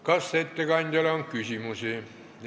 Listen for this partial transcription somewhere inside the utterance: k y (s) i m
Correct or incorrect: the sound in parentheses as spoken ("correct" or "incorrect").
correct